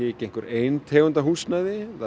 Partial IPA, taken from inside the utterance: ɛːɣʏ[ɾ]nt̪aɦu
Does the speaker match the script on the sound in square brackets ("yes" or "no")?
no